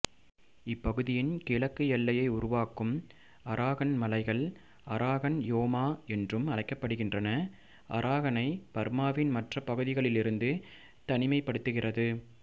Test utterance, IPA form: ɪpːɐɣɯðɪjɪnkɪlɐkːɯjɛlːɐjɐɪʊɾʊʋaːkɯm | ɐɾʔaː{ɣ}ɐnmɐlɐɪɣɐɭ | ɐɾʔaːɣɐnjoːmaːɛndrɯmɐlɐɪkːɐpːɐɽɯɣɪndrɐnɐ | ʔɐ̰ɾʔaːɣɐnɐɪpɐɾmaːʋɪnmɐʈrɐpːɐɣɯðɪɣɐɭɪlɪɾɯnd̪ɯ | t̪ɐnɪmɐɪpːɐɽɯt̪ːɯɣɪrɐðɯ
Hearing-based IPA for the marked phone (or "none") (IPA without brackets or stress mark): ɣ